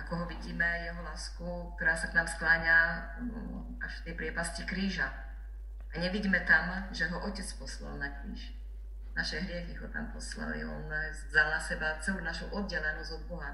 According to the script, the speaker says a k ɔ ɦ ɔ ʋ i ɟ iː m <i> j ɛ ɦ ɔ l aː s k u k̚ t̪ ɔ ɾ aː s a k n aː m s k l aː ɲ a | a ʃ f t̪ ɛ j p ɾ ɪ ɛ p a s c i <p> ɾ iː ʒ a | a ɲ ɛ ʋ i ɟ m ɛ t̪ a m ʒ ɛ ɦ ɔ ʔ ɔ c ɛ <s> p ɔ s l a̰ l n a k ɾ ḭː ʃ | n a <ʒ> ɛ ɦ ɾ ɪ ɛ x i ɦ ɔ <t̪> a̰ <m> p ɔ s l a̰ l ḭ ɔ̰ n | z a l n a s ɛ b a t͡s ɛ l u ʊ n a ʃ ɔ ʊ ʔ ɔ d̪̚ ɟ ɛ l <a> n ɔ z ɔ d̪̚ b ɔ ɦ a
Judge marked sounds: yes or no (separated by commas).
no, no, no, no, yes, yes, no